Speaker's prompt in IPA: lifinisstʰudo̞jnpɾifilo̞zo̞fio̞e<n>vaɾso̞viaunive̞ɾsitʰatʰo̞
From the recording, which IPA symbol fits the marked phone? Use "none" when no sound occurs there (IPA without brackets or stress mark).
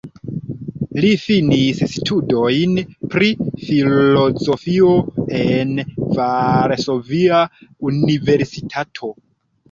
n